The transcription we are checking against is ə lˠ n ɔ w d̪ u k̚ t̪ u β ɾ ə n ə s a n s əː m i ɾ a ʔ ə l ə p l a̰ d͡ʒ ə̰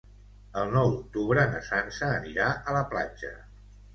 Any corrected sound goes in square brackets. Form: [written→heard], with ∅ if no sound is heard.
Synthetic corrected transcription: ə lˠ n ɔ w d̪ u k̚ t̪ u β ɾ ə n ə s a n s əː [m→n] i ɾ a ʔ ə l ə p l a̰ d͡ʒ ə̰